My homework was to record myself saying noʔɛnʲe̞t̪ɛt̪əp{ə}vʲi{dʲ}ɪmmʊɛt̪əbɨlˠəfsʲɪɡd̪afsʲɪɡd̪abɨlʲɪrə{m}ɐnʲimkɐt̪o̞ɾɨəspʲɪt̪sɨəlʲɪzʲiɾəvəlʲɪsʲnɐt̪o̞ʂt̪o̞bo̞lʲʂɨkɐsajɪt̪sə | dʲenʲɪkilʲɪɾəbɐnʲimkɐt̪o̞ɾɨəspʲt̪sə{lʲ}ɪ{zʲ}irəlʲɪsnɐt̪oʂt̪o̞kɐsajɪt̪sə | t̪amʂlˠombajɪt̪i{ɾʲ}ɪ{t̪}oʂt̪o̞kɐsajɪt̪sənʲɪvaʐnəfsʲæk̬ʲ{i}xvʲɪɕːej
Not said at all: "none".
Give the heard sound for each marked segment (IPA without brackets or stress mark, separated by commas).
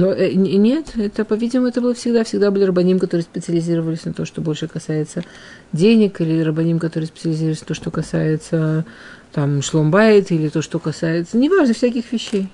ɐ, dʲ, b, lʲ, zʲ, lʲ, t̪, ɪ